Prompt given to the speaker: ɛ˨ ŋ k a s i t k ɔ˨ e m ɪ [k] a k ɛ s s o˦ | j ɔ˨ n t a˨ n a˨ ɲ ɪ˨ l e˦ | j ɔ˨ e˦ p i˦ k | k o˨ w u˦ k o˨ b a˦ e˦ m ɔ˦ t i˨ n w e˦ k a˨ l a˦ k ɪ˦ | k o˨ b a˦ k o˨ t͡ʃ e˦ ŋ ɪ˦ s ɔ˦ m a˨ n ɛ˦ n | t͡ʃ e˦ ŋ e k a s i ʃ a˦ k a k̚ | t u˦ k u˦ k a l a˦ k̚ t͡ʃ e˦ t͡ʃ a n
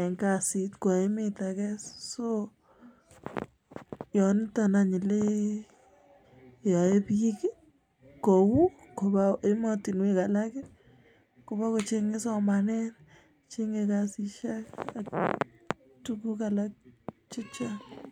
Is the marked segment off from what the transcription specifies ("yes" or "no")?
yes